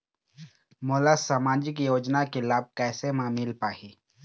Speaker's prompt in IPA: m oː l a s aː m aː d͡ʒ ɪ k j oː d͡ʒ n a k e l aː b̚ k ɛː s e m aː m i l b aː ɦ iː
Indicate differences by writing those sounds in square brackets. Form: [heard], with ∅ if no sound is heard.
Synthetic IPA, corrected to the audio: m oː l a s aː m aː d͡ʒ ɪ k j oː d͡ʒ n a k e l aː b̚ k ɛː s e m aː m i l [p] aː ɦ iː